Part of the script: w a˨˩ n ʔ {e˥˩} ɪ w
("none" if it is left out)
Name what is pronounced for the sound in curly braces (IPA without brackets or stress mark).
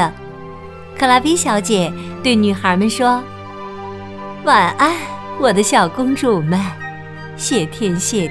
a˥˩